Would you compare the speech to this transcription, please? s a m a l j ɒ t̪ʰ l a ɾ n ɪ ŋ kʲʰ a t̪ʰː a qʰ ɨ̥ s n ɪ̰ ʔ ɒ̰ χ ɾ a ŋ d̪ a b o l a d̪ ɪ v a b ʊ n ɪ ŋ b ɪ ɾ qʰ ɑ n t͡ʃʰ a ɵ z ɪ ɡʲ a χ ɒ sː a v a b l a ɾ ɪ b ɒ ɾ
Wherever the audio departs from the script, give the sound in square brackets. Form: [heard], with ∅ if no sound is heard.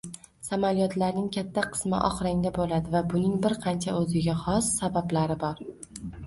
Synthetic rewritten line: s a m a l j ɒ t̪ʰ l a ɾ n ɪ ŋ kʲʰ a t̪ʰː a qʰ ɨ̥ s [m] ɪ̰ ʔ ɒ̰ χ ɾ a ŋ d̪ a b o l a d̪ ɪ v a b ʊ n ɪ ŋ b ɪ ɾ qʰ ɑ n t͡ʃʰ a ɵ z ɪ ɡʲ a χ ɒ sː a [b] a b l a ɾ ɪ b ɒ ɾ